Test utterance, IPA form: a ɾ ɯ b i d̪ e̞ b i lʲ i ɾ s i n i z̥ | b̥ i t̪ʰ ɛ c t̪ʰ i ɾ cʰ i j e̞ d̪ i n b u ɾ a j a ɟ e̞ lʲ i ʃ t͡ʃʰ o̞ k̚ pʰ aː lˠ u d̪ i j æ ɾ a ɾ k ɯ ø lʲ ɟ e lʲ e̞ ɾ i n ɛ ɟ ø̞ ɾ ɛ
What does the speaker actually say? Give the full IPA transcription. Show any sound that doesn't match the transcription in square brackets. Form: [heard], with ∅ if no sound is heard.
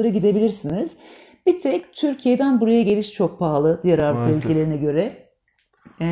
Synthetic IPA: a ɾ ɯ [ɟ] i d̪ e̞ b i lʲ i ɾ s i n i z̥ | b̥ i t̪ʰ ɛ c t̪ʰ [y] ɾ cʰ i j e̞ d̪ [æ] n b u ɾ a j a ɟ e̞ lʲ i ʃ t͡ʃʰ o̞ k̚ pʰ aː lˠ [ɯ] d̪ i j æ ɾ a ɾ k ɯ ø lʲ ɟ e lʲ e̞ ɾ i n ɛ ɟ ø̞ ɾ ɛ